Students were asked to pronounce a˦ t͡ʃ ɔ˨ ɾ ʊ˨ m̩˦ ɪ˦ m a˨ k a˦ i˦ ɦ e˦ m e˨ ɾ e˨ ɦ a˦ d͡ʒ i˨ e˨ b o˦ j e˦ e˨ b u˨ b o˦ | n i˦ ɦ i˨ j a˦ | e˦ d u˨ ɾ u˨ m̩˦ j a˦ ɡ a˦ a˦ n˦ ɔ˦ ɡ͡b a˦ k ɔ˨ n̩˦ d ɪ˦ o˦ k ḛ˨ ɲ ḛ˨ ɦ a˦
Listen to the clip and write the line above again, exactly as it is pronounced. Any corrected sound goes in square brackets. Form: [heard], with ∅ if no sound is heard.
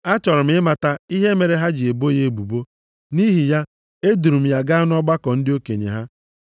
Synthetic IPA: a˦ t͡ʃ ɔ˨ ɾ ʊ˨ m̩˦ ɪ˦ m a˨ [t] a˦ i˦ ɦ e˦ m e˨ ɾ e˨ ɦ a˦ d͡ʒ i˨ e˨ b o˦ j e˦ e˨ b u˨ b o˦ | n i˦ ɦ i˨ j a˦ | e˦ d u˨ ɾ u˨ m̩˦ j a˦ ɡ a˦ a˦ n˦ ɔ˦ ɡ͡b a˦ k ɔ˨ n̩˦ d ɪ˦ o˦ k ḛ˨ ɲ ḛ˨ ɦ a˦